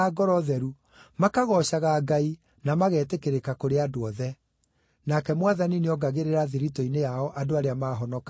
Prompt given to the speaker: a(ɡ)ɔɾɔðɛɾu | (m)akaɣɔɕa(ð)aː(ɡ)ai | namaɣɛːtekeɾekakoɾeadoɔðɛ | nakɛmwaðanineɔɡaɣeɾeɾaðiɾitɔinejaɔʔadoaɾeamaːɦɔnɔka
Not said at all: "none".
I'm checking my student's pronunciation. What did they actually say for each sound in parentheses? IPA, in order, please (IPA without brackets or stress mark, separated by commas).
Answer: ɡ, m, ɣ, ɡ